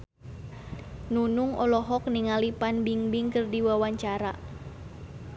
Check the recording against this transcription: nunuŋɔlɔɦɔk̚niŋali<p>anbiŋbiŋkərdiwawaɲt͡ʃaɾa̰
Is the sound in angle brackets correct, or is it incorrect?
correct